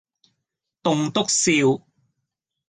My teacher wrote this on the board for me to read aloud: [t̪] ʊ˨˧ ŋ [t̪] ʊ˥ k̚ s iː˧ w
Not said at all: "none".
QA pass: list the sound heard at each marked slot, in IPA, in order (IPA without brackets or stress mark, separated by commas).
t̪, t̪